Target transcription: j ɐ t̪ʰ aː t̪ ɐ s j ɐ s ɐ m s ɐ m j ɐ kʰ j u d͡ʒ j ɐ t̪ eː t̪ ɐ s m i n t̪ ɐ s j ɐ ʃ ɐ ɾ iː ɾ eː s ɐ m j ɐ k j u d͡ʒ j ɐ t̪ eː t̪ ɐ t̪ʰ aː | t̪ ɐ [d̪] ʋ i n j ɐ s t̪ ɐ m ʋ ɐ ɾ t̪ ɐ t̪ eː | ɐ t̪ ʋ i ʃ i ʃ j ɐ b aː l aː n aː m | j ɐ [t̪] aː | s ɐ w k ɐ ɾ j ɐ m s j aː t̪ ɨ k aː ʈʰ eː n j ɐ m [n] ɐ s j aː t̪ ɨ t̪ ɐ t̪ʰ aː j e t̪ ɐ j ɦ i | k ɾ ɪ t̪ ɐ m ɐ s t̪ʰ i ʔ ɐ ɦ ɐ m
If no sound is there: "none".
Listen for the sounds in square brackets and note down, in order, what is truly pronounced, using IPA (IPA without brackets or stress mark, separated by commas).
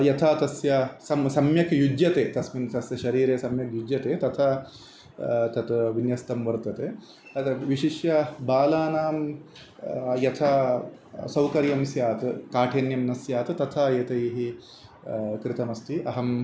t̪, t̪ʰ, n